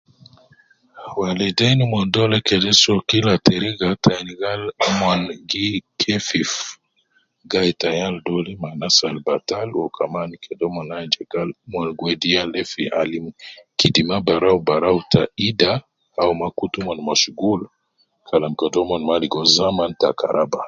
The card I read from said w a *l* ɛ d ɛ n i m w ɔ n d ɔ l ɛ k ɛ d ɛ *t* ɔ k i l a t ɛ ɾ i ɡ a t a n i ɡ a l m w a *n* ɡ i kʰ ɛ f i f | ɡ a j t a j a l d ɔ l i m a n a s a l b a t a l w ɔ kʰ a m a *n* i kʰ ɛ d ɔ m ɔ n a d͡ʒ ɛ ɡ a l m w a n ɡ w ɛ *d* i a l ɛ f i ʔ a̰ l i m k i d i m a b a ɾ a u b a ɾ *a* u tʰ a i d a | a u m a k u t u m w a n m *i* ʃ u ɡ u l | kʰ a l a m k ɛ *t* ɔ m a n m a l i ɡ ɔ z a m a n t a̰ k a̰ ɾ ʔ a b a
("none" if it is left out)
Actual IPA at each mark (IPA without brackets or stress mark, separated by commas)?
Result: l, s, n, n, d, a, a, d